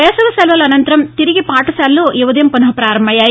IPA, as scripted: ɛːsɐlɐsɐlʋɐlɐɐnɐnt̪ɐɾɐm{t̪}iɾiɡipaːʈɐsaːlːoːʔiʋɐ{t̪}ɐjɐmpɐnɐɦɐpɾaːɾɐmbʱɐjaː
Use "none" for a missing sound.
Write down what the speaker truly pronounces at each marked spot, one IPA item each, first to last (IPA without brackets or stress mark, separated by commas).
t̪, d̪